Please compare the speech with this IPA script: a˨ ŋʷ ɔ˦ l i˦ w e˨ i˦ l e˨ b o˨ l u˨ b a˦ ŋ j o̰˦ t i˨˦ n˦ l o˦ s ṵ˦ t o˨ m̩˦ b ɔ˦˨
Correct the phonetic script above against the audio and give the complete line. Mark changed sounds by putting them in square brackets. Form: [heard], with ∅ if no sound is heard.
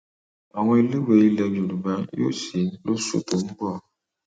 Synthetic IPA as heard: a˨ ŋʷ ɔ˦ l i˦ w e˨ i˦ l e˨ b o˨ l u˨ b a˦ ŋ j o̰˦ [s] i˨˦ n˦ l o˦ s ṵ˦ t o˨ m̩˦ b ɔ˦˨